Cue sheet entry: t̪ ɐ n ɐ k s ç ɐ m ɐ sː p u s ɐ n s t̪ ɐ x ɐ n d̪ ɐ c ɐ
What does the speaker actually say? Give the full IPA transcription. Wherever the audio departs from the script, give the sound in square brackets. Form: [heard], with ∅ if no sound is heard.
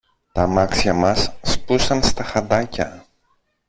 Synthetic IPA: t̪ ɐ [m] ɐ k s ç ɐ m ɐ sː p u s ɐ n s t̪ ɐ x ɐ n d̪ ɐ c ɐ